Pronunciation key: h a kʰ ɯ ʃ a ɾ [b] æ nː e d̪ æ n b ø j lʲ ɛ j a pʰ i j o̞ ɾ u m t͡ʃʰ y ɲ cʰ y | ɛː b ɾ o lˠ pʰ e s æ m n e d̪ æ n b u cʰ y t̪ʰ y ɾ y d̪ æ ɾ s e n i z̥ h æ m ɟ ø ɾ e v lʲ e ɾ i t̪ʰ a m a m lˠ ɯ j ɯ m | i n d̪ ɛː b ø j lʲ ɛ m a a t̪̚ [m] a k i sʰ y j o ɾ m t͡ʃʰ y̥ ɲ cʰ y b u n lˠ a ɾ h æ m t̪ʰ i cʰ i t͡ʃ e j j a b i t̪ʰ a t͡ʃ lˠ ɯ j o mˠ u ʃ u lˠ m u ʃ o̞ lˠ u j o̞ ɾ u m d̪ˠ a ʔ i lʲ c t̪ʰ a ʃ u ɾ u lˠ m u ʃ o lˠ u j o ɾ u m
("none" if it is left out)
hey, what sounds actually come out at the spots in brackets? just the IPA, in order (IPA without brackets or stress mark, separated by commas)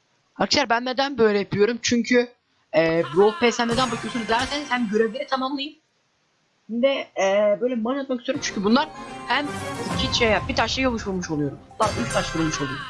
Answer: b, m